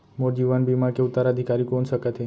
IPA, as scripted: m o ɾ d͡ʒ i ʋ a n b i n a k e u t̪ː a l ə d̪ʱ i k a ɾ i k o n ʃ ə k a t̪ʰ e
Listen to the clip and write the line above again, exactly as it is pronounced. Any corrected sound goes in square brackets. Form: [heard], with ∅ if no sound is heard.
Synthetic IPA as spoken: m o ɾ d͡ʒ i ʋ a n b i [m] a k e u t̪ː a [ɾ] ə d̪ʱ i k a ɾ i k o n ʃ ə k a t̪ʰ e